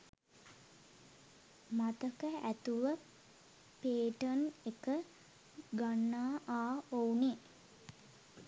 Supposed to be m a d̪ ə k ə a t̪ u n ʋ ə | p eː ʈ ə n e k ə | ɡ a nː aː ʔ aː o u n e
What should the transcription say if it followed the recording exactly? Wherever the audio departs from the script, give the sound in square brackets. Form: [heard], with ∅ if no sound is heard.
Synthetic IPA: m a [t̪] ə k ə [æ] t̪ u [∅] ʋ ə | p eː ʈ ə n e k ə | ɡ a nː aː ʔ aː o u n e